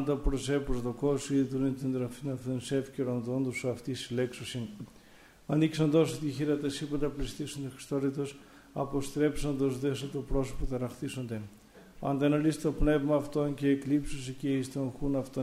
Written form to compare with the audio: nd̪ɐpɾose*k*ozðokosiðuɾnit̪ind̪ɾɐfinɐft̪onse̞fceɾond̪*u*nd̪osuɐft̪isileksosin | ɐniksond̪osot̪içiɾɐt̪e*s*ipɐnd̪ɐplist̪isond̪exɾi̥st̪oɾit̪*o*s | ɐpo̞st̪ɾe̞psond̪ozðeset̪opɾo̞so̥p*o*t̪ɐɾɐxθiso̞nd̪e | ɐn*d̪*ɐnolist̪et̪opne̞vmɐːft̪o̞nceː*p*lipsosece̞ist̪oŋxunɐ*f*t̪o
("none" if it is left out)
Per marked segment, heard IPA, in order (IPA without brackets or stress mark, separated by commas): p, o, s, o, o, d̪, k, f